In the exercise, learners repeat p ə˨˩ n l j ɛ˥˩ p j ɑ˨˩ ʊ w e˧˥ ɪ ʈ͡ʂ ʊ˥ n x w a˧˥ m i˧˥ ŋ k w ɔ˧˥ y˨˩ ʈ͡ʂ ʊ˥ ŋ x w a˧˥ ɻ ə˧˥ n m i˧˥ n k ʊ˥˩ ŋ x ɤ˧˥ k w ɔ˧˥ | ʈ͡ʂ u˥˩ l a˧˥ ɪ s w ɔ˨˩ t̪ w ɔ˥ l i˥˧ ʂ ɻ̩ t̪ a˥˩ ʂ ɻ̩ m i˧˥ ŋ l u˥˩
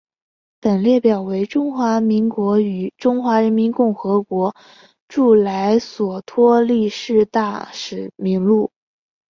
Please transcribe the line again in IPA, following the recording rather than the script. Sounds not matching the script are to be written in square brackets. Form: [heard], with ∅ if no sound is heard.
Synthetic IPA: p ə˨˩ n l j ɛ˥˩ p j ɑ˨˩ ʊ w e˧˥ ɪ ʈ͡ʂ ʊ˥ [ŋ] x w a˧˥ m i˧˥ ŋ k w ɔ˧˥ y˨˩ ʈ͡ʂ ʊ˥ ŋ x w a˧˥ ɻ ə˧˥ n m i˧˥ n k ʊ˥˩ ŋ x ɤ˧˥ k w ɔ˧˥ | ʈ͡ʂ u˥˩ l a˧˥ ɪ s w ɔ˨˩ [t̪ʰ] w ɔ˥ l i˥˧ ʂ ɻ̩ t̪ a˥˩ ʂ ɻ̩ m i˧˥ ŋ l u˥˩